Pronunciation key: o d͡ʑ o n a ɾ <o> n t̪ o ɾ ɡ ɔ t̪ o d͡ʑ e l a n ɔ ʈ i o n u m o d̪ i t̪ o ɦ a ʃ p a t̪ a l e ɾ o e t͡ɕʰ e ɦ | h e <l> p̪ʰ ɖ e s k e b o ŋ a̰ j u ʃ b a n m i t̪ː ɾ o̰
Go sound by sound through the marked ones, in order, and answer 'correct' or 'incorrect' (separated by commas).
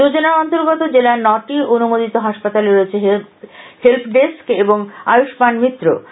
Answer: incorrect, correct